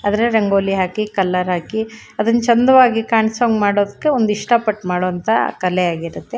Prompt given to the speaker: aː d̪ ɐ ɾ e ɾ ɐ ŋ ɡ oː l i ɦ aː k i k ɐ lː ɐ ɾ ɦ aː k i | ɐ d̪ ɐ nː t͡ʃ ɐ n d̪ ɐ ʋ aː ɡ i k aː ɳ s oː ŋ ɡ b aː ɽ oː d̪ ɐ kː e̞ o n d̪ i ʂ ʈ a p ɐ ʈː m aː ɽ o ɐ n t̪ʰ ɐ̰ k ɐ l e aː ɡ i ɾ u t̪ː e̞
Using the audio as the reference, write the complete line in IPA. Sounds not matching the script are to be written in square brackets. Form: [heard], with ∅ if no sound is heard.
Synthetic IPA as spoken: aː d̪ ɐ ɾ e ɾ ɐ ŋ ɡ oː l i ɦ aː k i k ɐ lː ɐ ɾ ɦ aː k i | ɐ d̪ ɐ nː t͡ʃ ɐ n d̪ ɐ ʋ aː ɡ i k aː ɳ s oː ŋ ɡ [m] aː ɽ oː d̪ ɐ kː e̞ o n d̪ i ʂ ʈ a p ɐ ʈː m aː ɽ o ɐ n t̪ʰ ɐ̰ k ɐ l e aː ɡ i ɾ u t̪ː e̞